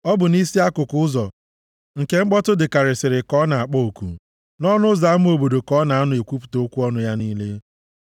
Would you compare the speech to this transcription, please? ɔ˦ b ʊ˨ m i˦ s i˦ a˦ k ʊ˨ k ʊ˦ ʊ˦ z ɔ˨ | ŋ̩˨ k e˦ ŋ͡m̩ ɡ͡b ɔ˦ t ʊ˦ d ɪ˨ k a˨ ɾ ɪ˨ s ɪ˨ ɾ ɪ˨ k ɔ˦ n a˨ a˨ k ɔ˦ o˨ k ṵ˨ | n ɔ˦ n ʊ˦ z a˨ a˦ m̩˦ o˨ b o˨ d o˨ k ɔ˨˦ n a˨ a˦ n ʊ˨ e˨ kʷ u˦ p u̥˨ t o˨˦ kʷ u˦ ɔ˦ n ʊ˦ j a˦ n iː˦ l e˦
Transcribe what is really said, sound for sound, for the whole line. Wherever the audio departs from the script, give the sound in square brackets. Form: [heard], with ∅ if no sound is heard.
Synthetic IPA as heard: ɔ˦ b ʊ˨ [n] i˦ s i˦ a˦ k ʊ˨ k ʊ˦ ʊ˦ z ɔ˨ | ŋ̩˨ k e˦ ŋ͡m̩ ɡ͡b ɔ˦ t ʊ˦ d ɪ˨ k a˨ ɾ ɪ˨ s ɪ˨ ɾ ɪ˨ k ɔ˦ n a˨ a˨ [k͡p] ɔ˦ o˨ k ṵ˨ | n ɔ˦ n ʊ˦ z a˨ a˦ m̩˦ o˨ b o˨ d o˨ k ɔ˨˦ n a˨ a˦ n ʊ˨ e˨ kʷ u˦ p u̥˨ t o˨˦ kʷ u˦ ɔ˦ n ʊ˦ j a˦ n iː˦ l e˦

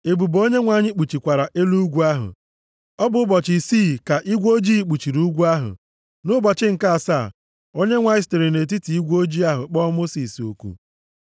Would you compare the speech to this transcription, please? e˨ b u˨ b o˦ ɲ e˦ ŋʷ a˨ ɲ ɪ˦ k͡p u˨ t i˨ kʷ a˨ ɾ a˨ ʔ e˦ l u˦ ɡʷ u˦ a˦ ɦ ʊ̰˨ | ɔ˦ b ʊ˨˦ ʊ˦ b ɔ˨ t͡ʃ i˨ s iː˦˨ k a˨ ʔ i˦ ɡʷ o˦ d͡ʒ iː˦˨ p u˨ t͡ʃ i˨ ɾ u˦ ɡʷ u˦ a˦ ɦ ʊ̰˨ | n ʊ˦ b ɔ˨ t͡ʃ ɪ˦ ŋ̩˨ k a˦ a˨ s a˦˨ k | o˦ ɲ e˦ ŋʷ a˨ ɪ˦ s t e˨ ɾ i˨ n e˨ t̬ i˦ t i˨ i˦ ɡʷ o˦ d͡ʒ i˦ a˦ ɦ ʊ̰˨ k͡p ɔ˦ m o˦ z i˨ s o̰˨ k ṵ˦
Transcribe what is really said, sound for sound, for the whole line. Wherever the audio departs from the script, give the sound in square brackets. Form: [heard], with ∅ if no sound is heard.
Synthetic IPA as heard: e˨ b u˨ b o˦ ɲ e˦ ŋʷ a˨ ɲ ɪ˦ k͡p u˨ [t͡ʃ] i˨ kʷ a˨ ɾ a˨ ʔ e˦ l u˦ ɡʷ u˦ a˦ ɦ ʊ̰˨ | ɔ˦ b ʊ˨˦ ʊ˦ b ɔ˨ t͡ʃ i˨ s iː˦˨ k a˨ ʔ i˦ ɡʷ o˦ d͡ʒ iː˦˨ [k͡p] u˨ t͡ʃ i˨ ɾ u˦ ɡʷ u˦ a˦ ɦ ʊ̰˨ | n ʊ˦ b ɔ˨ t͡ʃ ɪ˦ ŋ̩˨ k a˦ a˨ s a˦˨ [∅] | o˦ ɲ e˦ ŋʷ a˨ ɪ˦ s t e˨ ɾ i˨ n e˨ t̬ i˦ t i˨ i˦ ɡʷ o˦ d͡ʒ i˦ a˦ ɦ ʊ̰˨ k͡p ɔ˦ m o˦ [s] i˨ s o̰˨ k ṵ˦

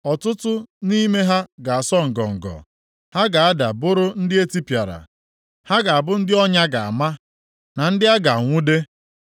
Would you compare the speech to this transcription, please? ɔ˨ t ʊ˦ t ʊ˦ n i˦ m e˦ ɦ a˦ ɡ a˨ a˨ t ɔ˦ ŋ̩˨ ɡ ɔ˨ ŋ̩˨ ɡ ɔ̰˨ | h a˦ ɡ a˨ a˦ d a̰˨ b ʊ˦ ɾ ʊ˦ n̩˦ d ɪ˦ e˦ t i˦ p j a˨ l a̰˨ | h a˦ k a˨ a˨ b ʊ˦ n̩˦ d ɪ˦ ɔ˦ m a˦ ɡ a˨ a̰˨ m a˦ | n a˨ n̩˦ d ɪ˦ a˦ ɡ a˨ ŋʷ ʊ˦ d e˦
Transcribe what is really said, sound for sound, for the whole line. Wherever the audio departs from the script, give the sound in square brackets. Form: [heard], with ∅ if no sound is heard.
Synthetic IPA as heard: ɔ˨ t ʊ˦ t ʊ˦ n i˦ m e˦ ɦ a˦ ɡ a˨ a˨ [s] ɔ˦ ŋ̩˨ ɡ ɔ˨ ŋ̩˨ ɡ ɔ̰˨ | h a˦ ɡ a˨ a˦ d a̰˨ b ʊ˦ ɾ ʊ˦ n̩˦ d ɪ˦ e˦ t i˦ p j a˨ [ɾ] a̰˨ | h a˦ [ɡ] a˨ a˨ b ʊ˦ n̩˦ d ɪ˦ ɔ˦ [ɲ] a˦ ɡ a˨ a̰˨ m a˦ | n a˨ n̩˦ d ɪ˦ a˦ ɡ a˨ ŋʷ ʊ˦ d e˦

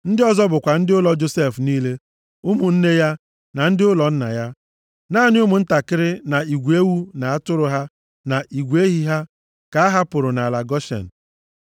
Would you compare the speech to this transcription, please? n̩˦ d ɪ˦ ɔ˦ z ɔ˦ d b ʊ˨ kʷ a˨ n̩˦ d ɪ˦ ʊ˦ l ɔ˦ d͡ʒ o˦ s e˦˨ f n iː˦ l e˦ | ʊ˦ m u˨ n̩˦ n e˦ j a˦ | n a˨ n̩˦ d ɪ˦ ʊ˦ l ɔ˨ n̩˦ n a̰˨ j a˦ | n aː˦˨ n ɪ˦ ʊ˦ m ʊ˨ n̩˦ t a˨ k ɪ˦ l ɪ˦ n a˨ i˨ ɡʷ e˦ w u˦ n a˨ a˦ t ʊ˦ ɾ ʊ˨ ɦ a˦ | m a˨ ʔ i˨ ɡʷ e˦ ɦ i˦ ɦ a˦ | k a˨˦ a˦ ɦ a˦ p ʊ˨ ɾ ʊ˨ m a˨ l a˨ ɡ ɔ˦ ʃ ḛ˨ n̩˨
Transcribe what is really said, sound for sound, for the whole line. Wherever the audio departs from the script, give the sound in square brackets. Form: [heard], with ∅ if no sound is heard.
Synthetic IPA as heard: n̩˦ d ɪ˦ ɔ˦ z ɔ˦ [∅] b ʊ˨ kʷ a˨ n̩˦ d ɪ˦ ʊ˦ l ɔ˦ d͡ʒ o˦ s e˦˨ f n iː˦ l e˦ | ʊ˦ m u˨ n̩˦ n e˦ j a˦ | n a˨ n̩˦ d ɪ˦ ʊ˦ l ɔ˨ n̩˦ n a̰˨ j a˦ | n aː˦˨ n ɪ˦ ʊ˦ m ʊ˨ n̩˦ t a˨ k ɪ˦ [ɾ] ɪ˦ n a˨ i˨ ɡʷ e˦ w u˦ n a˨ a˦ t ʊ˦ ɾ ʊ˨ ɦ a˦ | [n] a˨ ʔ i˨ ɡʷ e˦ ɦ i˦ ɦ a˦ | k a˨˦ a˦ ɦ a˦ p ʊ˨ ɾ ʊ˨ [n] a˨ l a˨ ɡ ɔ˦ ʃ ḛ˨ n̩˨

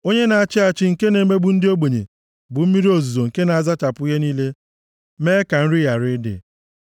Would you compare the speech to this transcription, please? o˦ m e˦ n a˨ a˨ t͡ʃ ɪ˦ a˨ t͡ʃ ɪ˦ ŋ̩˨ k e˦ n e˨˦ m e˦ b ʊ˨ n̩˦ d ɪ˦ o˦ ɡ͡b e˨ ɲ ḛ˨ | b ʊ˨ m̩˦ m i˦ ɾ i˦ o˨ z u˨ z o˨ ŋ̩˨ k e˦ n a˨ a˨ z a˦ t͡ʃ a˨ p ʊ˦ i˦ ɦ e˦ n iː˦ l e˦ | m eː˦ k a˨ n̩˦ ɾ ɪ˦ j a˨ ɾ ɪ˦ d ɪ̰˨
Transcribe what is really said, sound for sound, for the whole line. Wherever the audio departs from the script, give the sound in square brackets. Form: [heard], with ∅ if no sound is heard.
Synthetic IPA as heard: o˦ [ɲ] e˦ n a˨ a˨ t͡ʃ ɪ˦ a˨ t͡ʃ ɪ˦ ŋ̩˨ k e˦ n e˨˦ m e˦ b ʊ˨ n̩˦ d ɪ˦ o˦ ɡ͡b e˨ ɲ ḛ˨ | b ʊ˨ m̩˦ m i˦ ɾ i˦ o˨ z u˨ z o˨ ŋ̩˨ k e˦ n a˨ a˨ z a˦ t͡ʃ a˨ p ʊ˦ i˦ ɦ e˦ n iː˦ l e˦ | m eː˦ k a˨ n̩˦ ɾ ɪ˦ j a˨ ɾ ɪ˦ d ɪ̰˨

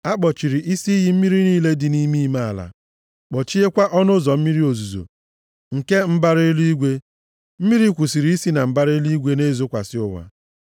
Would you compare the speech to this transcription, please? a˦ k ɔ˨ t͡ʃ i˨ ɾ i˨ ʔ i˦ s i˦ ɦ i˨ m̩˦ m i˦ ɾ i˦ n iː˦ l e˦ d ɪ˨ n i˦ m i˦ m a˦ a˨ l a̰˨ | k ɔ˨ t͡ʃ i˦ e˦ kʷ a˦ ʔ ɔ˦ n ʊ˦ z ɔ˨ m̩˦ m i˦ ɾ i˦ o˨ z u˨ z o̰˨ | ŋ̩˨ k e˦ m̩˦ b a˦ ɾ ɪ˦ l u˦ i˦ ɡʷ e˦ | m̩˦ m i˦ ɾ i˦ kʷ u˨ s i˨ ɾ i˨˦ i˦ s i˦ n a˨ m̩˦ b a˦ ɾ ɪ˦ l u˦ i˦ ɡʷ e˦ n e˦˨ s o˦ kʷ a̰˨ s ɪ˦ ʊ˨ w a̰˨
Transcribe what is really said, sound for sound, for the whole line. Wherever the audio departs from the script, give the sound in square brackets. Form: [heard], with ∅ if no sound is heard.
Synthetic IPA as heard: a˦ [k͡p] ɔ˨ t͡ʃ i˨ ɾ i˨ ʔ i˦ s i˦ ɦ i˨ m̩˦ m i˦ ɾ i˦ n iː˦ l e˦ d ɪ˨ n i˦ m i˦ m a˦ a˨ l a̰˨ | [k͡p] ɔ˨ t͡ʃ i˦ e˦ kʷ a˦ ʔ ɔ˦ n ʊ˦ z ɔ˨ m̩˦ m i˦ ɾ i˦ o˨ z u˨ z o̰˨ | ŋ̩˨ k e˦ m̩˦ b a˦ ɾ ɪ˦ l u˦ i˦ ɡʷ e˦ | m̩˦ m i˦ ɾ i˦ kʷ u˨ s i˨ ɾ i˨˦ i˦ s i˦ n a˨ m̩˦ b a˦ ɾ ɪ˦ l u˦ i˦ ɡʷ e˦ n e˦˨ [z] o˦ kʷ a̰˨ s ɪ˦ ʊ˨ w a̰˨

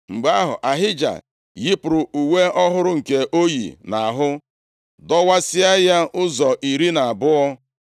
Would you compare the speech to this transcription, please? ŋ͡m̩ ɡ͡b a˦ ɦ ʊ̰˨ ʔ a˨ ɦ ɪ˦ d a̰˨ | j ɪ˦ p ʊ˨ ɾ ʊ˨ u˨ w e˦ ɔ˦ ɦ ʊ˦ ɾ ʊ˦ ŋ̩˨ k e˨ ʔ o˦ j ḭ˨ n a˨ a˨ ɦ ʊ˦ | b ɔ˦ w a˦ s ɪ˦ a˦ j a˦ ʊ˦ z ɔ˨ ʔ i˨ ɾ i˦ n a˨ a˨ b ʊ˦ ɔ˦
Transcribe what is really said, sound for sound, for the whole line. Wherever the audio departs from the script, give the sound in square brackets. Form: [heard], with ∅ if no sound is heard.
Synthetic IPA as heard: ŋ͡m̩ ɡ͡b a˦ ɦ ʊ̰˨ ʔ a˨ ɦ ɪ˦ [d͡ʒ] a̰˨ | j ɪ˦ p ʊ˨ ɾ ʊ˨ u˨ w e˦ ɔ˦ ɦ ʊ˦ ɾ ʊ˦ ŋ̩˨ k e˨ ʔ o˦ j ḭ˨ n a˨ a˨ ɦ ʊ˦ | [d] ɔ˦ w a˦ s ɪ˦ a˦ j a˦ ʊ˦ z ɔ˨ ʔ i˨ ɾ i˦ n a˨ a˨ b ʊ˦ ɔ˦

